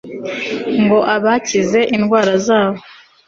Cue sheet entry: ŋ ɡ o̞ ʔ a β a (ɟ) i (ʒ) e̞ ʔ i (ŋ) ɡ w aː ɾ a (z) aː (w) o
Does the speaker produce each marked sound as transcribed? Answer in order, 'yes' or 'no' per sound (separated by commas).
no, no, no, yes, no